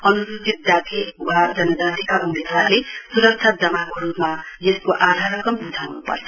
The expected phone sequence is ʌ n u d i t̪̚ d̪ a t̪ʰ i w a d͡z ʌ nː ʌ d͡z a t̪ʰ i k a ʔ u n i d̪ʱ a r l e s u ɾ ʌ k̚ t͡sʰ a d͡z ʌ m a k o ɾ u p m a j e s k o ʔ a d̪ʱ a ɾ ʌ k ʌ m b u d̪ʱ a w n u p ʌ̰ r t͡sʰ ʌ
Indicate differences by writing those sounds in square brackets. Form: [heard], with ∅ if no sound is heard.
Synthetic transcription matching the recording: ʌ n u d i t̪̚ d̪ a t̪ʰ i w a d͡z ʌ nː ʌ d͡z a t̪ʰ i k a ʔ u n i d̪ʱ a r l e s u ɾ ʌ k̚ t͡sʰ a d͡z ʌ m a k o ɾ u p m a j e s k o ʔ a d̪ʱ a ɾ ʌ k ʌ m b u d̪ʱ a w n u p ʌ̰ r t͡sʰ ʌ